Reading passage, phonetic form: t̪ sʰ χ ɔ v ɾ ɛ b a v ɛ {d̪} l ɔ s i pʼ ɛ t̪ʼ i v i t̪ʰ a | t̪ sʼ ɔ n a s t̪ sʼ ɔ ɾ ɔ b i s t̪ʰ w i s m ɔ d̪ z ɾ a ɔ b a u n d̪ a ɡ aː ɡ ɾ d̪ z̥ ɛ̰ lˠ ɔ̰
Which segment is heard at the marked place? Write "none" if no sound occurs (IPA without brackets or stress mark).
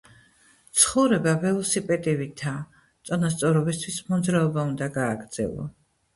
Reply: none